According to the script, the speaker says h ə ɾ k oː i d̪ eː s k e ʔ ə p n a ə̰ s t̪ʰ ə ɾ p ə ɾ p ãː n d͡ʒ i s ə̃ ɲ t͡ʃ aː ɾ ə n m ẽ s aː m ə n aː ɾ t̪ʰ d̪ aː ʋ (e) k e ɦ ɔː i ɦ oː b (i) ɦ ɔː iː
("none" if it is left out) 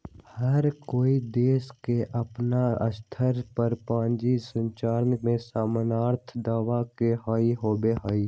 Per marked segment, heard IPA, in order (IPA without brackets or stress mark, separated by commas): a, e